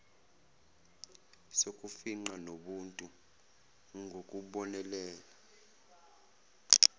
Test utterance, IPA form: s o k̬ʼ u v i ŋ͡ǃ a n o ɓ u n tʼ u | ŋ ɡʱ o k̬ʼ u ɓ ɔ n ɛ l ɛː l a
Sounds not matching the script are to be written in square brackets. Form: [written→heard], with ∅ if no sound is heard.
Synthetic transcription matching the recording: s o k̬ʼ u [v→f] i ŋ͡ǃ a n o ɓ u n tʼ u | ŋ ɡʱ o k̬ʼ u ɓ ɔ n ɛ l ɛː l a

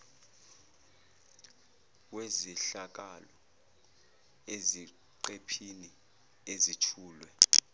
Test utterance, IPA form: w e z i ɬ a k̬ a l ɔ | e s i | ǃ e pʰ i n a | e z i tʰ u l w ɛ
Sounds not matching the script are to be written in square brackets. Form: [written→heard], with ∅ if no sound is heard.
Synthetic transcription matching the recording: w e z i ɬ a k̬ a l ɔ | e [s→z] i | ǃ e pʰ i n [a→i] | e z i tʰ [u→uː] l w ɛ

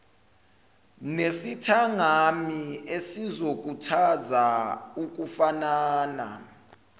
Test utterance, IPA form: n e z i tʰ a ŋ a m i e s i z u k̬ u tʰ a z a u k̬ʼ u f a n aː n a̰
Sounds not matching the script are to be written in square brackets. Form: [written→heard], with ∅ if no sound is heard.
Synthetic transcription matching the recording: n e [z→s] i tʰ a ŋ a m i e s i z [u→o] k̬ u tʰ a z a u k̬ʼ u f a n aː n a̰

